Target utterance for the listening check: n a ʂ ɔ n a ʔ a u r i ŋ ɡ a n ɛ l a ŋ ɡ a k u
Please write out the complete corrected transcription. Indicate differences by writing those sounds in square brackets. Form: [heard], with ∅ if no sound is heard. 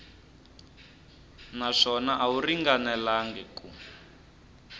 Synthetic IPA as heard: n a ʂ ɔ n a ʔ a u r i ŋ ɡ a n ɛ l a ŋ ɡ [ɛ] k u

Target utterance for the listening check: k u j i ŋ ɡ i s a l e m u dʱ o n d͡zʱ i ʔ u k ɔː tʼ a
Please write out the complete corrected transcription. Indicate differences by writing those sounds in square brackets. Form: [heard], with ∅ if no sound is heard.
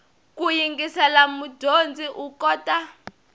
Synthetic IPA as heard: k u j i ŋ ɡ i s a l [a] m u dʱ o n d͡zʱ i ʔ u k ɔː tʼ a

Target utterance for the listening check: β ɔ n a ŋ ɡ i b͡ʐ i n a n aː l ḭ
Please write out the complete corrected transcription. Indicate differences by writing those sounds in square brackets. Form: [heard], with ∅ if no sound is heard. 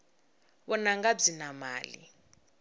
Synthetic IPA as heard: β ɔ n a ŋ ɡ [a] b͡ʐ i n a [m] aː l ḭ

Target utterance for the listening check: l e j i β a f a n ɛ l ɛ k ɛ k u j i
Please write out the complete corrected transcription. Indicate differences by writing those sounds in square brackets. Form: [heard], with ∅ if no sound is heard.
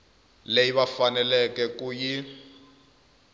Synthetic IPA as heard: l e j i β a f a n ɛ l ɛ k ɛ k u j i

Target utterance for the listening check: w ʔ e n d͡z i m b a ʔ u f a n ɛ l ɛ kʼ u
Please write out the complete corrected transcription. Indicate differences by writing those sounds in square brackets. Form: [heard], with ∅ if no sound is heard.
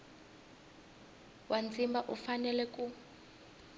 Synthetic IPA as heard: w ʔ [a] n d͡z i m b a ʔ u f a n ɛ l ɛ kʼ u

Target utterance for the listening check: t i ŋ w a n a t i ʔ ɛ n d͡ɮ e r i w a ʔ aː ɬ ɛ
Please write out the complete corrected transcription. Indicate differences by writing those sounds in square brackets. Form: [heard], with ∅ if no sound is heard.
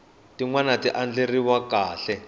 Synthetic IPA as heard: t i ŋ w a n a t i ʔ [a] n d͡ɮ e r i w a [k] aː ɬ ɛ

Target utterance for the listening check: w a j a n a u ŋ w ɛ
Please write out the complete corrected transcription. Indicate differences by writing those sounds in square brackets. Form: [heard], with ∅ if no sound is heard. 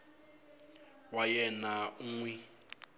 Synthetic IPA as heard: w a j [ɛ] n a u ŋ w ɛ

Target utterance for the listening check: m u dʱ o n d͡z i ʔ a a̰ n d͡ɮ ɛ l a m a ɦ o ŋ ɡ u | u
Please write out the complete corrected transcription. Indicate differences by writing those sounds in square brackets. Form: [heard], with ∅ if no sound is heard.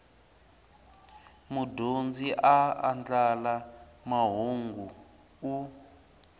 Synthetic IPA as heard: m u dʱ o n d͡z i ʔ a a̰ n d͡ɮ [a] l a m a ɦ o ŋ ɡ u | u

